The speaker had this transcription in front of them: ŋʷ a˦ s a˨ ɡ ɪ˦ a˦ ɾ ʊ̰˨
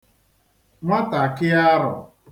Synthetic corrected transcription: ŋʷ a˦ t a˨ k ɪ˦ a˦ ɾ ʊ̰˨